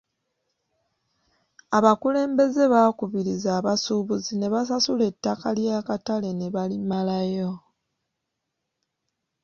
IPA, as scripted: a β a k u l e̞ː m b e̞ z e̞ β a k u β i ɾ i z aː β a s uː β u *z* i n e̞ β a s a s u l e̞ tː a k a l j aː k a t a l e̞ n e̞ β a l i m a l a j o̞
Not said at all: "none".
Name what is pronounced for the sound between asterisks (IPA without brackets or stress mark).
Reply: z